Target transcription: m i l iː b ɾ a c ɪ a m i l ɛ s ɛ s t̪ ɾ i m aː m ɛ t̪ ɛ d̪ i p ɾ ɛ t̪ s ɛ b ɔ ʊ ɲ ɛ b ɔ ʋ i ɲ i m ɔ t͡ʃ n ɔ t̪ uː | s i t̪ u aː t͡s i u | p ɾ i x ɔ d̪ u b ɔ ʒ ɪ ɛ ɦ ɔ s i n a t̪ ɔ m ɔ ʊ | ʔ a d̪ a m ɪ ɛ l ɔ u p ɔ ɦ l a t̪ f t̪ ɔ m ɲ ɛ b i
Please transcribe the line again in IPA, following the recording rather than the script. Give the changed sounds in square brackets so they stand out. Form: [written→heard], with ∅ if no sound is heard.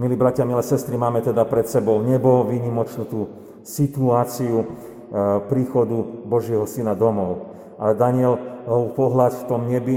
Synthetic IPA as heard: m i l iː b ɾ a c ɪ a m i l ɛ s ɛ s t̪ ɾ i m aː m ɛ t̪ ɛ d̪ [i→a] p ɾ ɛ t̪ s ɛ b ɔ ʊ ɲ ɛ b ɔ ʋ i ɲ i m ɔ t͡ʃ n [ɔ→u] t̪ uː | s i t̪ u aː t͡s i u | p ɾ [i→iː] x ɔ d̪ u b ɔ ʒ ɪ ɛ ɦ ɔ s i n a [t̪→d̪] ɔ m ɔ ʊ | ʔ a d̪ a [m→ɲ] ɪ ɛ l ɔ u p ɔ ɦ l a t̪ f t̪ ɔ m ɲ ɛ b i